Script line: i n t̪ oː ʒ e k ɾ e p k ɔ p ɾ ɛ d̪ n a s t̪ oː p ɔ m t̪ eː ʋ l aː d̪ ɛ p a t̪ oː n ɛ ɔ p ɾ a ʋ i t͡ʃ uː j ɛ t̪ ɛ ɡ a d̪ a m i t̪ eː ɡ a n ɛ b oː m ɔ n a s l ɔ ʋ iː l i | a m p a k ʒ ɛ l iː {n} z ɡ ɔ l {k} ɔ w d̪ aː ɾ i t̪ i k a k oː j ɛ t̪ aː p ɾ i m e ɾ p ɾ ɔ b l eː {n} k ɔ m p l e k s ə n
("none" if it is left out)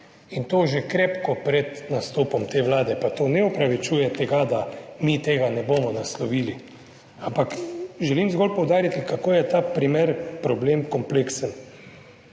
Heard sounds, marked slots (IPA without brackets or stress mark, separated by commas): m, p, m